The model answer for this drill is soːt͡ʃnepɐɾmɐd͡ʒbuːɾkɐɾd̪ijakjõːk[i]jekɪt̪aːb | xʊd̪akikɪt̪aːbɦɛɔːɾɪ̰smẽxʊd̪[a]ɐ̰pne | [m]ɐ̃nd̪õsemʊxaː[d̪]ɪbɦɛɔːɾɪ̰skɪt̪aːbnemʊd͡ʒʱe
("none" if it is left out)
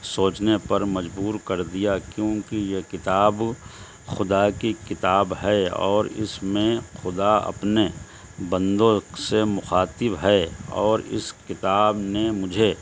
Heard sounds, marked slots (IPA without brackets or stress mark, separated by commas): i, a, b, t̪